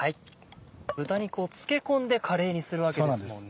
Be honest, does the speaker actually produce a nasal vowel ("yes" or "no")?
yes